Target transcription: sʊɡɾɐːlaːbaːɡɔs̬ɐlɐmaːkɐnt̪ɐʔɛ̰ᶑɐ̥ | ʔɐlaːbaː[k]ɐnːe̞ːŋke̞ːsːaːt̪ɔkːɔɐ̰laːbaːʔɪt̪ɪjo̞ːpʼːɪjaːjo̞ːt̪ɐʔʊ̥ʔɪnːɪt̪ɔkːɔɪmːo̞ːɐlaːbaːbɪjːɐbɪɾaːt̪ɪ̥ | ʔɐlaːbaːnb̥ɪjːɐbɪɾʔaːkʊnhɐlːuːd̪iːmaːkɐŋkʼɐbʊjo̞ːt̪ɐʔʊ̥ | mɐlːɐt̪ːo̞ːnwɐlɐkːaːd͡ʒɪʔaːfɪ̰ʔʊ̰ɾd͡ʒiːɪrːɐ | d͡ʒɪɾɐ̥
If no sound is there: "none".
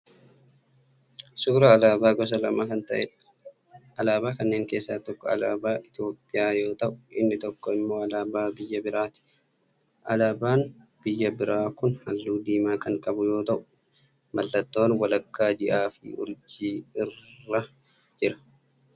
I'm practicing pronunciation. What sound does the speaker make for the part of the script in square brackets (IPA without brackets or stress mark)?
k